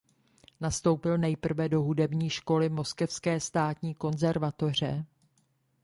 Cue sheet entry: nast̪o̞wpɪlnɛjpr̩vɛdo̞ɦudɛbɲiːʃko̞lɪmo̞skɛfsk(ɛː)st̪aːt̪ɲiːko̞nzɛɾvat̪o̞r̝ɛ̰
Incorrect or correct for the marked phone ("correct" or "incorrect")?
correct